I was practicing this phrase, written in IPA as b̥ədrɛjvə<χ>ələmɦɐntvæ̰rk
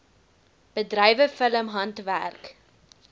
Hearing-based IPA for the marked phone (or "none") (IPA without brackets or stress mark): f